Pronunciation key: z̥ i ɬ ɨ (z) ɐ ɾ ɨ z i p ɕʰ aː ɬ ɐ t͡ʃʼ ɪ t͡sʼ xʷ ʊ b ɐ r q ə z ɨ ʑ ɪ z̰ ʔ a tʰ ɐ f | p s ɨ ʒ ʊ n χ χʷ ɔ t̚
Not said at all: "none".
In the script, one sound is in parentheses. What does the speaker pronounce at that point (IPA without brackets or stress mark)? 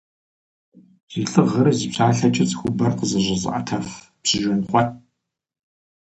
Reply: ʁ